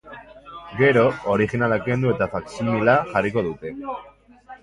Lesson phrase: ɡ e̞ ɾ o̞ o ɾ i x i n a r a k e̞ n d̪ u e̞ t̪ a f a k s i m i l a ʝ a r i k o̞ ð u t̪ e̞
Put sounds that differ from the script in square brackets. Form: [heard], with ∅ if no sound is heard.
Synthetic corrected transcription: ɡ e̞ ɾ o̞ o ɾ i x i n a [l] a k e̞ n d̪ u e̞ t̪ a f a k s i m i l a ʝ a r i k o̞ ð u t̪ e̞